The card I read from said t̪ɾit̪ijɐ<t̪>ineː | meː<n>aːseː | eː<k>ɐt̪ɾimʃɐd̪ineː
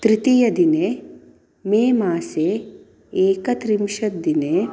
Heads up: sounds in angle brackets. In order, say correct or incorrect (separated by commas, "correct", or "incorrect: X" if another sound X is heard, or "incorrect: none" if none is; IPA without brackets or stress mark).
incorrect: d̪, incorrect: m, correct